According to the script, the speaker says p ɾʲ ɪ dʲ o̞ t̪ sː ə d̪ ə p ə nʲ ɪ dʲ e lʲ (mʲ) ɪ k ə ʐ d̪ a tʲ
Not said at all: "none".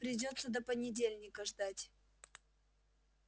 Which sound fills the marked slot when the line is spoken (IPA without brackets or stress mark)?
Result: nʲ